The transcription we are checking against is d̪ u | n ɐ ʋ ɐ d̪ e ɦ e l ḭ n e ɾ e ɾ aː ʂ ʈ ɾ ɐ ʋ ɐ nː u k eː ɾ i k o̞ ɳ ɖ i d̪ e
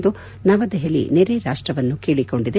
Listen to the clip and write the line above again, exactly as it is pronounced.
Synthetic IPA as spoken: d̪ u | n ɐ ʋ ɐ d̪ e ɦ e l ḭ n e ɾ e ɾ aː ʂ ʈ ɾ ɐ ʋ ɐ nː u k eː ɭ i k o̞ ɳ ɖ i d̪ e

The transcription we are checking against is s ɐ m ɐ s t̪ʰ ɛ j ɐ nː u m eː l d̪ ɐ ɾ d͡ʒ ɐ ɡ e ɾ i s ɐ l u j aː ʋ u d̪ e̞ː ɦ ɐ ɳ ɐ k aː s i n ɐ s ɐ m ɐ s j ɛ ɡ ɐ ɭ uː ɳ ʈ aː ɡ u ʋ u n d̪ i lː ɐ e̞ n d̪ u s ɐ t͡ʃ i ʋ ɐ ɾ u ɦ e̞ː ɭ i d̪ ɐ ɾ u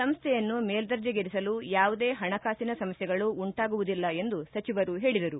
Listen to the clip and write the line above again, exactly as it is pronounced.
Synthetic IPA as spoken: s ɐ m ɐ s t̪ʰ ɛ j ɐ nː u m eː l d̪ ɐ ɾ d͡ʒ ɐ ɡ e ɾ i s ɐ l u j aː ʋ u d̪ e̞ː ɦ ɐ ɳ ɐ k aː s i n ɐ s ɐ m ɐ s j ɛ ɡ ɐ ɭ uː ɳ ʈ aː ɡ u ʋ u d̪ i lː ɐ e̞ n d̪ u s ɐ t͡ʃ i ʋ ɐ ɾ u ɦ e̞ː ɭ i d̪ ɐ ɾ u

